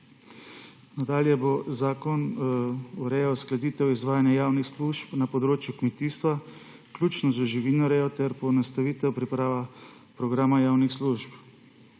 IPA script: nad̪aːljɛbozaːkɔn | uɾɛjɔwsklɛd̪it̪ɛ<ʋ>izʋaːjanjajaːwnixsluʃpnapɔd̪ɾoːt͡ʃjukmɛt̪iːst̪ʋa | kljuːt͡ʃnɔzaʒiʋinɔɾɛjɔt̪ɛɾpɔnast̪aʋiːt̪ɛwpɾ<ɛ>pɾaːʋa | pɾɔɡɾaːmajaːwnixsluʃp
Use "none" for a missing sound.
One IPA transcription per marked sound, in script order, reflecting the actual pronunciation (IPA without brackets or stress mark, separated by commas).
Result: w, i